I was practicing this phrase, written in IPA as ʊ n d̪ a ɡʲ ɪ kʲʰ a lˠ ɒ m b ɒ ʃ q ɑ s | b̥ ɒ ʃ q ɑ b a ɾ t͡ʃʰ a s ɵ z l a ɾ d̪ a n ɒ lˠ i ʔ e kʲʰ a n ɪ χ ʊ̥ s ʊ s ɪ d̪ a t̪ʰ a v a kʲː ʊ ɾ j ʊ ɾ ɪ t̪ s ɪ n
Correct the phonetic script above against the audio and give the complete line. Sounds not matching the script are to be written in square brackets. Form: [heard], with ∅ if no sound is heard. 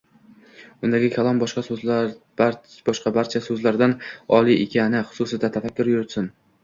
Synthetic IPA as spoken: ʊ n d̪ a ɡʲ ɪ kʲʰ a lˠ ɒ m b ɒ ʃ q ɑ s | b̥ ɒ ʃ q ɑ b a ɾ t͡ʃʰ a s ɵ z l a ɾ d̪ a n ɒ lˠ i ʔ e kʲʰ a n ɪ χ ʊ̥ s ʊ s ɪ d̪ a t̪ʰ a [f] a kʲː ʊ ɾ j ʊ ɾ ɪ t̪ s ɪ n